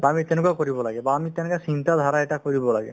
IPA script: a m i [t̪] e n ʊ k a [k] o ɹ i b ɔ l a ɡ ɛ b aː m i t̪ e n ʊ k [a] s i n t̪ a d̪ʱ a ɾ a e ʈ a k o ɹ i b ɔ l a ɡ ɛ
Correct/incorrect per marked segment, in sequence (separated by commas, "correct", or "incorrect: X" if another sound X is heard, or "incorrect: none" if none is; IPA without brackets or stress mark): correct, correct, correct